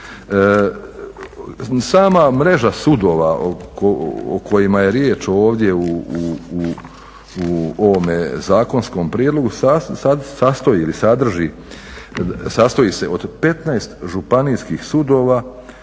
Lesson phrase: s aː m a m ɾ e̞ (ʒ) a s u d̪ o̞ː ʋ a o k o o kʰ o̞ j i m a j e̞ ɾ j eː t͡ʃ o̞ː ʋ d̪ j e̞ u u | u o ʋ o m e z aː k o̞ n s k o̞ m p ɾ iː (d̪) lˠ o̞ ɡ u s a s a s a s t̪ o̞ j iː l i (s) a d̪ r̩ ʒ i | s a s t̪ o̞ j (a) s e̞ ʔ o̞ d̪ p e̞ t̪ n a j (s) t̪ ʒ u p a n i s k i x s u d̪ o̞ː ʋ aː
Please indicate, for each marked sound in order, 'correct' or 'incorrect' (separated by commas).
correct, correct, correct, incorrect, correct